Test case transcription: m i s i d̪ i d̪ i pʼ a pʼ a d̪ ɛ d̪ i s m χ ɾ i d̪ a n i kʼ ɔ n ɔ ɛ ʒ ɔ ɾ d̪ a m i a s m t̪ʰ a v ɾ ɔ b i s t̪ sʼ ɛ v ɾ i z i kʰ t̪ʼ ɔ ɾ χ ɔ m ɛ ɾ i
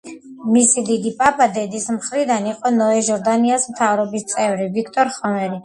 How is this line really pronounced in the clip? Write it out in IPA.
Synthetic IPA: m i s i d̪ i d̪ i pʼ a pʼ a d̪ ɛ d̪ i s m χ ɾ i d̪ a n i qʼ ɔ n ɔ ɛ ʒ ɔ ɾ d̪ a n i a s m t̪ʰ a v ɾ ɔ b i s t̪ sʼ ɛ v ɾ i v i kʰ t̪ʼ ɔ ɾ χ ɔ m ɛ ɾ i